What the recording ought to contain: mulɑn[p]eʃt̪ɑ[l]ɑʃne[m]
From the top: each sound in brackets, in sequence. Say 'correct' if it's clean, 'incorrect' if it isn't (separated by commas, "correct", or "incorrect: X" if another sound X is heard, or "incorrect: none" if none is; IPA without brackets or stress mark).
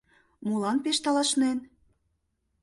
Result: correct, correct, incorrect: n